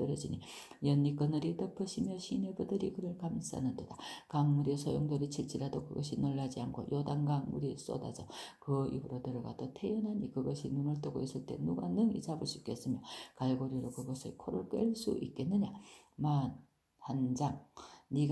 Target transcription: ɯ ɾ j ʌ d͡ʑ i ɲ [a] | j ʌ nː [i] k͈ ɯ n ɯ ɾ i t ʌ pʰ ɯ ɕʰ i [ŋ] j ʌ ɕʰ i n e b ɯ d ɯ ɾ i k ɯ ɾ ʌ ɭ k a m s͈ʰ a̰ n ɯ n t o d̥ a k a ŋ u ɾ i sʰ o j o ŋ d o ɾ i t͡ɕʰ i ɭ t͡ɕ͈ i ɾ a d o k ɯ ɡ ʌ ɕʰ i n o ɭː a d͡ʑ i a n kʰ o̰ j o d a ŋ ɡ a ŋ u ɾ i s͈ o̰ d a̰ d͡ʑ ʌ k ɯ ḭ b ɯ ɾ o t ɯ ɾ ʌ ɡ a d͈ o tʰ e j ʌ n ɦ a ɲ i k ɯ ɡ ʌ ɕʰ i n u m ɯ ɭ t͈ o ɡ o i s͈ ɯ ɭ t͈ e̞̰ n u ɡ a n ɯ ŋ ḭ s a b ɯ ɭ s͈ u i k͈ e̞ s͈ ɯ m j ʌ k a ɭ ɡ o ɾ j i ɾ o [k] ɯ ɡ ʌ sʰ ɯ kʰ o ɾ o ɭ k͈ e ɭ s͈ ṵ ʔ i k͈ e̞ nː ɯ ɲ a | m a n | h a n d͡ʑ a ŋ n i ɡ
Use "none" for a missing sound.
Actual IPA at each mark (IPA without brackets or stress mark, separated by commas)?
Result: i, i, m, k